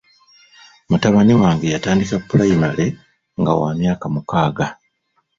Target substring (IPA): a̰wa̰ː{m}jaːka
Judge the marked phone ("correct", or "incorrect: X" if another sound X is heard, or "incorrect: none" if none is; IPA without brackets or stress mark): correct